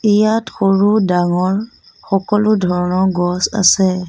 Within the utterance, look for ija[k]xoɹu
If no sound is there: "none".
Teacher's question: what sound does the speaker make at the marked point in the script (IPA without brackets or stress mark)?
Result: t